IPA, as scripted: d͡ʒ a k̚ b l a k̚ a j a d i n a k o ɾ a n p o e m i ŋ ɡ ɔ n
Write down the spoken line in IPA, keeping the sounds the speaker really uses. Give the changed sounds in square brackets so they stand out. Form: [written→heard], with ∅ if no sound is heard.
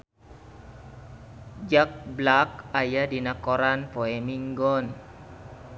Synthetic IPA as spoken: d͡ʒ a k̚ b l a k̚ a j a d i n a k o ɾ a n p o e m i ŋ ɡ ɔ n